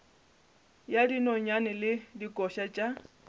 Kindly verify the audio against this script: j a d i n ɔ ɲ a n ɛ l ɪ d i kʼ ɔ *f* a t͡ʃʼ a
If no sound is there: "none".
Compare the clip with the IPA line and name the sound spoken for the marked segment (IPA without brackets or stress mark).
ʃ